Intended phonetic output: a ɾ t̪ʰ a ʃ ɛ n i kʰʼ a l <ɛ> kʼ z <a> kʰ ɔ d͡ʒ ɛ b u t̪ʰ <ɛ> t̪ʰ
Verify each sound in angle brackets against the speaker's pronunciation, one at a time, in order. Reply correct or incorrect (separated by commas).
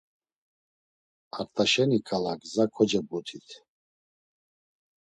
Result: incorrect, correct, incorrect